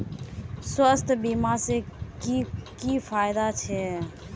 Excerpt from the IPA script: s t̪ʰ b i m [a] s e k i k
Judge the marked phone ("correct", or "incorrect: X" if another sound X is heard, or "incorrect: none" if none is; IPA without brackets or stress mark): correct